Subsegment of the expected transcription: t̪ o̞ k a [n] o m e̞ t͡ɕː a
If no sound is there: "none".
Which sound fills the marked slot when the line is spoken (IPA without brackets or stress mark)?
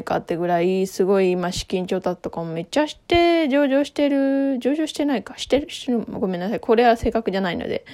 m